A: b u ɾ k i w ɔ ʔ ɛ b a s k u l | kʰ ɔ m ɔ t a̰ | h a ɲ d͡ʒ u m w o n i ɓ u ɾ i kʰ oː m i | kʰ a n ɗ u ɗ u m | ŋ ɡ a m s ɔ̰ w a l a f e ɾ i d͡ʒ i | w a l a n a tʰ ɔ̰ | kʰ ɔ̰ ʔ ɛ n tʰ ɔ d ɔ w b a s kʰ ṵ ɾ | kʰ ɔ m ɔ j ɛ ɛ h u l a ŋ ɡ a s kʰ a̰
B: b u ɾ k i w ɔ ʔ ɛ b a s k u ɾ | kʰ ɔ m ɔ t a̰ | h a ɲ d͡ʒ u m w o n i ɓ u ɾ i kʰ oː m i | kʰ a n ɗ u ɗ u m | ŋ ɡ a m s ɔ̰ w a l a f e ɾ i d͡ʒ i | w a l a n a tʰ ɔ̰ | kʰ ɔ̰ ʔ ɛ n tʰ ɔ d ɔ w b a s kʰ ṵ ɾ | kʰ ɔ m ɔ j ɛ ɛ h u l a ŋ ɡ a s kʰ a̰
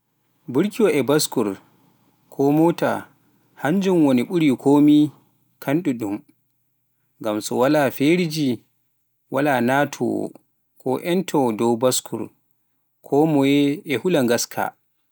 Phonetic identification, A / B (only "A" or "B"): B